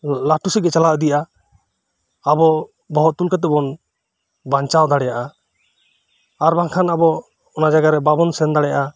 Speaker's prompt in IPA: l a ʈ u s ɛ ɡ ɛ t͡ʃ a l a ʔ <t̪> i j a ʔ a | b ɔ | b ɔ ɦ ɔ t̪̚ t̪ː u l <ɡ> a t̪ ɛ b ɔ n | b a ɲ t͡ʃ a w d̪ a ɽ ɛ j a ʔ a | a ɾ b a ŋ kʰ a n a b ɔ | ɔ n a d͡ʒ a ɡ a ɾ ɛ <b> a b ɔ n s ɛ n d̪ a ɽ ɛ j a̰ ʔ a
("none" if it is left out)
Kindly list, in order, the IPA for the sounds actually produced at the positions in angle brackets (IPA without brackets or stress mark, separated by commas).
d̪, k, b